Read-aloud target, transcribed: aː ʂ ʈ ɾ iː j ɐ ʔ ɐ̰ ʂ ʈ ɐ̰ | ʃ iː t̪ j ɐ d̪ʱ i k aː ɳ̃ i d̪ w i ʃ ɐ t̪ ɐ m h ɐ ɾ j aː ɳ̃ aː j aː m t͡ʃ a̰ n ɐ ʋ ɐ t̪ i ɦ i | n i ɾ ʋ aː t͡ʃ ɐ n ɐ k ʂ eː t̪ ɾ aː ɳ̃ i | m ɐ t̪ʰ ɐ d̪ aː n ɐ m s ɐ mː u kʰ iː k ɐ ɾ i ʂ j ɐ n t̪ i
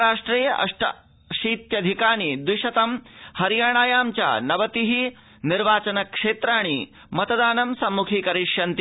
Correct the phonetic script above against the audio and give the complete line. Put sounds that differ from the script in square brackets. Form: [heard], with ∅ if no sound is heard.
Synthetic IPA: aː ʂ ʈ ɾ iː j ɐ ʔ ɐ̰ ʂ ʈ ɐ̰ | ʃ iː t̪ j ɐ d̪ʱ i k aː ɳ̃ i d̪ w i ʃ ɐ t̪ ɐ m h ɐ ɾ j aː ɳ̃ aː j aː m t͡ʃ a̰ n ɐ ʋ ɐ t̪ i ɦ i | n i ɾ ʋ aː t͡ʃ ɐ n ɐ k ʂ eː t̪ ɾ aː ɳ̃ i | m ɐ [t̪] ɐ d̪ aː n ɐ m s ɐ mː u kʰ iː k ɐ ɾ i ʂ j ɐ n t̪ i